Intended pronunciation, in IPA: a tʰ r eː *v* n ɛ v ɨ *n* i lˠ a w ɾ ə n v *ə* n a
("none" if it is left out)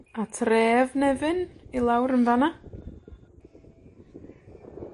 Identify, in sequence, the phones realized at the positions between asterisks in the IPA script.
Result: v, n, a

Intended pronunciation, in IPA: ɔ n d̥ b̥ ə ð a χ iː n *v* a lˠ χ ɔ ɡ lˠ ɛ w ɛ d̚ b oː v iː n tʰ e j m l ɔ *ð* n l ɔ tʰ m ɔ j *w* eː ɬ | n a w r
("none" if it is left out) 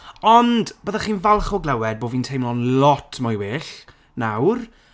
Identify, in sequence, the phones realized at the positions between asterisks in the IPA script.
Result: v, none, w

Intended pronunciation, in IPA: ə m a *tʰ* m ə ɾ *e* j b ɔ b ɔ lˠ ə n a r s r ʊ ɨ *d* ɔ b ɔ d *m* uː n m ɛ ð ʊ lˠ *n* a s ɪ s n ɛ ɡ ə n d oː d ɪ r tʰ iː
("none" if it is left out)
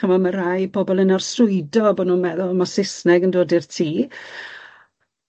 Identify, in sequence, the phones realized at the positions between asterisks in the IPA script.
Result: none, a, d, n, m

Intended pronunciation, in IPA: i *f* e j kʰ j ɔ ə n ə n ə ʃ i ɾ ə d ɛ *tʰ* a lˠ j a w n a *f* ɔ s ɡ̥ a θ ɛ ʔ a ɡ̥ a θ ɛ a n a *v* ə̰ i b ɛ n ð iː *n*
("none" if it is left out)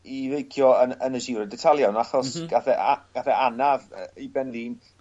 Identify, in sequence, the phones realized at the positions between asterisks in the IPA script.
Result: v, tʰ, χ, v, n

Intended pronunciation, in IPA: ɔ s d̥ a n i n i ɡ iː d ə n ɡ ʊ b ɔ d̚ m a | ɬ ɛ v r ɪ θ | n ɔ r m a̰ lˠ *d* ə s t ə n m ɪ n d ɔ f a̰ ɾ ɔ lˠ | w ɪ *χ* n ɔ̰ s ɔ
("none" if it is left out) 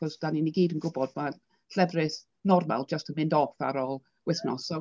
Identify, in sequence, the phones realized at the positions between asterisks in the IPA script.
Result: d͡ʒ, θ

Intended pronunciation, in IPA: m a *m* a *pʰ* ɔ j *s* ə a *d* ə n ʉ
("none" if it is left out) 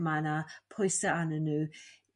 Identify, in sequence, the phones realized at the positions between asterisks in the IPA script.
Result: n, pʰ, s, n

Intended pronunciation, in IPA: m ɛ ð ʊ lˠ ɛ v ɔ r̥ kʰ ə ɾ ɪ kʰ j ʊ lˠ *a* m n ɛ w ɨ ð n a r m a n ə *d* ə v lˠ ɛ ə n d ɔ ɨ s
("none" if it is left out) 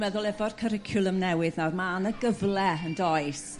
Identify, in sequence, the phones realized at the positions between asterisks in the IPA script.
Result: ə, ɡ

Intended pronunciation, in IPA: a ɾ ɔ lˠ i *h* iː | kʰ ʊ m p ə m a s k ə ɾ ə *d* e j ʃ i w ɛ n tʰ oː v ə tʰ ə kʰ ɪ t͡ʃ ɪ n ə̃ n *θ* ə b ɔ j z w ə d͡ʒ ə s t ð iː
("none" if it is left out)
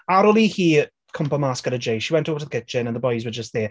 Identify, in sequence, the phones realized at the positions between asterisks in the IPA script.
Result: h, d͡ʒ, ð

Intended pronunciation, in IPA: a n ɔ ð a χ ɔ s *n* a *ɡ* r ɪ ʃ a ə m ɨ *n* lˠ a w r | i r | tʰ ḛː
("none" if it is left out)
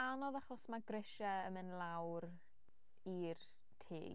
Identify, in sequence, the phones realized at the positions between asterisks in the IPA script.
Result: m, ɡ, n

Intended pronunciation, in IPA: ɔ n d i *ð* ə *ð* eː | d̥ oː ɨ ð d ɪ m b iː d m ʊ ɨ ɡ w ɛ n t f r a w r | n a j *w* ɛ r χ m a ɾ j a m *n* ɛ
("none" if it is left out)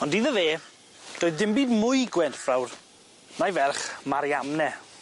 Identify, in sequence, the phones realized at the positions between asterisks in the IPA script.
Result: ð, v, v, n

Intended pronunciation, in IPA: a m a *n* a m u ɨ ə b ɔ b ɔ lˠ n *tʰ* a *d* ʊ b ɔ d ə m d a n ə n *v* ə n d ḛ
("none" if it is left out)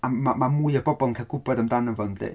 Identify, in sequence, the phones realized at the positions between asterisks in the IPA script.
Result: m, kʰ, ɡ, v

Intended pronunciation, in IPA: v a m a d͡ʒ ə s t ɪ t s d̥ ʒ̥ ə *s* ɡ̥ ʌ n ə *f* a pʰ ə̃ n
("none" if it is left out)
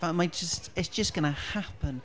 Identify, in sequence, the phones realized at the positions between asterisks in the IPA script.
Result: s, h

